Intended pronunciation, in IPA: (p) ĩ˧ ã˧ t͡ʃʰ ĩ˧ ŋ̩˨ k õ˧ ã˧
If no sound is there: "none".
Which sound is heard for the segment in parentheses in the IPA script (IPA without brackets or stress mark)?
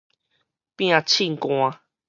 p